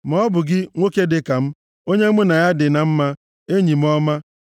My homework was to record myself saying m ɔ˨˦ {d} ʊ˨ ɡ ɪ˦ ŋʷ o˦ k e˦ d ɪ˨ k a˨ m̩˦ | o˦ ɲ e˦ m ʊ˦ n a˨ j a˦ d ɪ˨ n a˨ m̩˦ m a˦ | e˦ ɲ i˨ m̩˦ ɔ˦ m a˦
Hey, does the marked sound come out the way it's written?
no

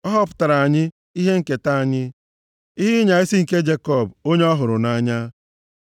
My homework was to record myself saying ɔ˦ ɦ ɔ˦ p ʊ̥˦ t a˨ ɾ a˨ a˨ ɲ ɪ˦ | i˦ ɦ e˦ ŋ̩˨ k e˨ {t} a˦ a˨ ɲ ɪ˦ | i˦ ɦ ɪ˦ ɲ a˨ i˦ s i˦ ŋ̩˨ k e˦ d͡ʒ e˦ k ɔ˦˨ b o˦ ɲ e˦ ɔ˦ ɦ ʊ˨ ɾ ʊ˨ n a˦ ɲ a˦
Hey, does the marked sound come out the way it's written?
yes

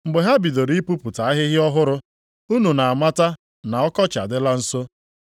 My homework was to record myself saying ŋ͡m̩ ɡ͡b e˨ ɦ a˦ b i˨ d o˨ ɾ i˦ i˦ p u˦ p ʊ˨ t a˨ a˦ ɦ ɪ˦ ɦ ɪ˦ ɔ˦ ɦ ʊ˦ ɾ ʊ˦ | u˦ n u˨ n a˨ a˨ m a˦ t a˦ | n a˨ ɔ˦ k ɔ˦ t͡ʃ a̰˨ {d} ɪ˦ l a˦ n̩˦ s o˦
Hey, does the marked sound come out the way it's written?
yes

